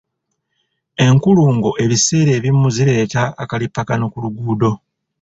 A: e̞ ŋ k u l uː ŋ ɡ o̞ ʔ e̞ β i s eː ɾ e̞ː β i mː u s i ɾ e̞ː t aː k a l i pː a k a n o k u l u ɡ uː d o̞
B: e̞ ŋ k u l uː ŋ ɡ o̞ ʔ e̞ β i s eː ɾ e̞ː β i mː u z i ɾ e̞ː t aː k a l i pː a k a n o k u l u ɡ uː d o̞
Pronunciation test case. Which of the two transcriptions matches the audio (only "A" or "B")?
B